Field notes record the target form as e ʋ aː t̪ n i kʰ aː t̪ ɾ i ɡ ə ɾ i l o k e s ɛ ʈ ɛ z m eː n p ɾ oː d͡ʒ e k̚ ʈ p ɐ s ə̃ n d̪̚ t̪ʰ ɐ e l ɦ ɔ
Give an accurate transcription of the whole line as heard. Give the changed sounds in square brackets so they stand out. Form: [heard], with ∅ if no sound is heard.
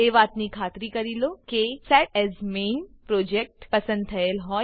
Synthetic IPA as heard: e ʋ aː t̪ n i kʰ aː t̪ ɾ i [k] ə ɾ i l o k e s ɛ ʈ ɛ z m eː n p ɾ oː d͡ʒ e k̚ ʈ p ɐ s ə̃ n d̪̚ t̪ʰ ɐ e l ɦ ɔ